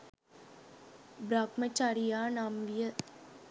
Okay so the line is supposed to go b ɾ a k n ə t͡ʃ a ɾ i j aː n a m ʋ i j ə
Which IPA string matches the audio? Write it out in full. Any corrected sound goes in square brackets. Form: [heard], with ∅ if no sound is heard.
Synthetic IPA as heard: b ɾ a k [m] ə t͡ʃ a ɾ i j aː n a m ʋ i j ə